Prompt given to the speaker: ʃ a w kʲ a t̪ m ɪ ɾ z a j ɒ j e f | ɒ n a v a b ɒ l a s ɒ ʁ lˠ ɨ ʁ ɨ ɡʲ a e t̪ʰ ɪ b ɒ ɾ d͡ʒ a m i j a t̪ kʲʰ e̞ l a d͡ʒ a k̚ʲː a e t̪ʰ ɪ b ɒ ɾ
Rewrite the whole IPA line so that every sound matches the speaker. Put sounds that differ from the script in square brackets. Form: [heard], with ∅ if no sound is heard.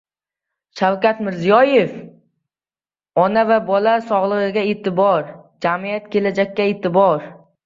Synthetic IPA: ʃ a w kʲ a t̪ m ɪ ɾ z [i] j ɒ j e f | ɒ n a v a b ɒ l a s ɒ ʁ lˠ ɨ ʁ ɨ ɡʲ a e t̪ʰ ɪ b ɒ ɾ d͡ʒ a m i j a t̪ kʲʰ e̞ l a d͡ʒ a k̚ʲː a e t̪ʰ ɪ b ɒ ɾ